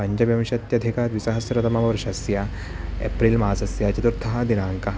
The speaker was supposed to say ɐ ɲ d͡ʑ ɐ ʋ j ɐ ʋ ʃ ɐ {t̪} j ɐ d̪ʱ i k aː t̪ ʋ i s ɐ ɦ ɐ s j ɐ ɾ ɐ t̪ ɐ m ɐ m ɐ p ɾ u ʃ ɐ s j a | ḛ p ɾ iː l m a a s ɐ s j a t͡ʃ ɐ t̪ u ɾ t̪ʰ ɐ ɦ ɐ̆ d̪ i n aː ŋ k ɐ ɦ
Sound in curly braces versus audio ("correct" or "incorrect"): correct